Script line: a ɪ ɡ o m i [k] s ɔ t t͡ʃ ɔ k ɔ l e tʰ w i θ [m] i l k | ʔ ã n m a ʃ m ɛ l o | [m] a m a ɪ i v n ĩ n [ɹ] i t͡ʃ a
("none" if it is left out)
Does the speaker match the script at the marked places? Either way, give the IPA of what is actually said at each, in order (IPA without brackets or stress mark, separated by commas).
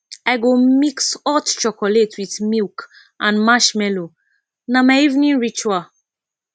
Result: k, m, n, ɹ